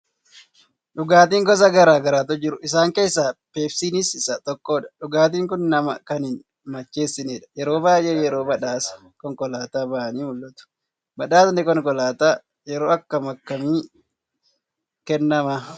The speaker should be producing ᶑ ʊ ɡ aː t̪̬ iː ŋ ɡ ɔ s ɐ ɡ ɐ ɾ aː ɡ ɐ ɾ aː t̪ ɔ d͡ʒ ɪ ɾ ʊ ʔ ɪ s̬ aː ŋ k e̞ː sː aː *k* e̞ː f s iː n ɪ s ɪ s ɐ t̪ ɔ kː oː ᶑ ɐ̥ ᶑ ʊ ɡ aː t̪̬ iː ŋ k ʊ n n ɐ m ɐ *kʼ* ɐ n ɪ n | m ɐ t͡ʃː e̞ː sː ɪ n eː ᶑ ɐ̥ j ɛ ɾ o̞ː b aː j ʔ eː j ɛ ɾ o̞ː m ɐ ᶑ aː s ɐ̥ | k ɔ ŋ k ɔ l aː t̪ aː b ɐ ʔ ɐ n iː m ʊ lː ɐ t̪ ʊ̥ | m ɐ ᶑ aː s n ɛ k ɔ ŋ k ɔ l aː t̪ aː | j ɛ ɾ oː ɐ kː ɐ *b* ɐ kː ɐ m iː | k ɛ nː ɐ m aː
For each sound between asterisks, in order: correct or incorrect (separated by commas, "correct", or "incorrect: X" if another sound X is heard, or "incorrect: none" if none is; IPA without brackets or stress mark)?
incorrect: p, incorrect: k, incorrect: m